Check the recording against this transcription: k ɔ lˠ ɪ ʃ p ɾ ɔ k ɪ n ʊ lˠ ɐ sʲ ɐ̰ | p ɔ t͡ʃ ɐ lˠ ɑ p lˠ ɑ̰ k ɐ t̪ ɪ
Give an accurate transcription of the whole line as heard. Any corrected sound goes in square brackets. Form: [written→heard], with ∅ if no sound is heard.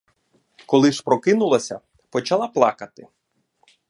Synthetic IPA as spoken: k ɔ lˠ ɪ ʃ p ɾ ɔ k ɪ n ʊ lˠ ɐ sʲ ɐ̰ | p ɔ t͡ʃ ɐ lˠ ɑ p lˠ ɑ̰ k ɐ t̪ ɪ